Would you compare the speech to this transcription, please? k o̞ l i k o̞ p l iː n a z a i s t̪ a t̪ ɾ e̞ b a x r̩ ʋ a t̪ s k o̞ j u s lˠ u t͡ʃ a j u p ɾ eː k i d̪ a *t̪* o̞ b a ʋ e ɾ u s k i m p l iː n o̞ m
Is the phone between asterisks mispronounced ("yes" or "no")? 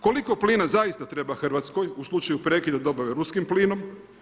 yes